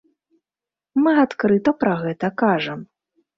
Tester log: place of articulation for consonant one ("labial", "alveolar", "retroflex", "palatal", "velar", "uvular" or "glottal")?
labial